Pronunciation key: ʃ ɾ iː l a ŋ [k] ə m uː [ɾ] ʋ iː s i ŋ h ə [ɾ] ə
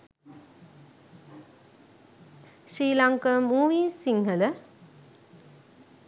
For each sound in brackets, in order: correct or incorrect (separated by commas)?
correct, incorrect, incorrect